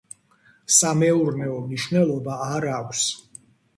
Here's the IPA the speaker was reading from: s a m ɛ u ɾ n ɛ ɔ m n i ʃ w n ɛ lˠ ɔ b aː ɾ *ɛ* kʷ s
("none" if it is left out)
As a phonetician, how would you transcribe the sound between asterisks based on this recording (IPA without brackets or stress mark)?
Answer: a